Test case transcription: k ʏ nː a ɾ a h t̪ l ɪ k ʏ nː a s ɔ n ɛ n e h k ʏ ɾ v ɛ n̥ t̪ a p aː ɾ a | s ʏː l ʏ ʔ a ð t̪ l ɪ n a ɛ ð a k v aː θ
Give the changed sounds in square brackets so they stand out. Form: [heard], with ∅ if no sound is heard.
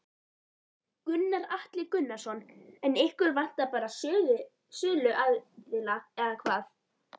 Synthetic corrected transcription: k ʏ nː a ɾ a h t̪ l ɪ k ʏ nː a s ɔ n ɛ n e h k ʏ ɾ v [a] n̥ t̪ a p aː ɾ a | s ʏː l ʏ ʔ a ð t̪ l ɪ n a ɛ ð a [kʰ] v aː θ